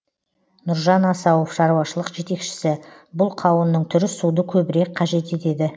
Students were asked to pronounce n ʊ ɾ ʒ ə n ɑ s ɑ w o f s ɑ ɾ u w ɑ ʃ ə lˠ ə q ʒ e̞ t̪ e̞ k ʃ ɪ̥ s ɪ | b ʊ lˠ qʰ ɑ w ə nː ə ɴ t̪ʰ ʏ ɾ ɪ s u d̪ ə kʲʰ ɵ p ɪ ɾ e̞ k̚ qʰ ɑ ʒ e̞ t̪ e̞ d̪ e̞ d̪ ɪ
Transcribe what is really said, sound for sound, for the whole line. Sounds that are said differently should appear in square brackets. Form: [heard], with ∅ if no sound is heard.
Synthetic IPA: n ʊ ɾ ʒ [ɑ] n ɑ s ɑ w o f [ʃ] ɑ ɾ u w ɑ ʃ ə lˠ ə q ʒ e̞ t̪ e̞ k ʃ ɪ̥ s ɪ | b ʊ lˠ qʰ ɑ w ə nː ə ɴ t̪ʰ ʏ ɾ ɪ s u d̪ ə kʲʰ ɵ [b] ɪ ɾ e̞ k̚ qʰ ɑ ʒ e̞ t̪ e̞ [t̪] e̞ d̪ ɪ